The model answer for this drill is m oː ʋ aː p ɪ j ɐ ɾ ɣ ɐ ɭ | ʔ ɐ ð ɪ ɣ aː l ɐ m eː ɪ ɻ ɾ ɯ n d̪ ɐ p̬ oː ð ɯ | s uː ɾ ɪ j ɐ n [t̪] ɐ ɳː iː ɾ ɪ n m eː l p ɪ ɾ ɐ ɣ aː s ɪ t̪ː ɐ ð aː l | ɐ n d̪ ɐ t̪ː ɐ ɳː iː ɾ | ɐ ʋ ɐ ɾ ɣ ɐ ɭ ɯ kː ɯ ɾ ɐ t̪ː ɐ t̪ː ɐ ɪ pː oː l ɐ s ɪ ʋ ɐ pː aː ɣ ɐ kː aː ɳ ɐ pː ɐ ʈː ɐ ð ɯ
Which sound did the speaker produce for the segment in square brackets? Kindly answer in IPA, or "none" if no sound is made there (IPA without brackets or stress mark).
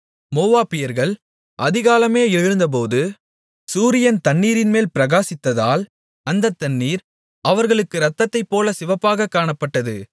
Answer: t̪